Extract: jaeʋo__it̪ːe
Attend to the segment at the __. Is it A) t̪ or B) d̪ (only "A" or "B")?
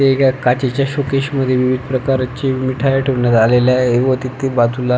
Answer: A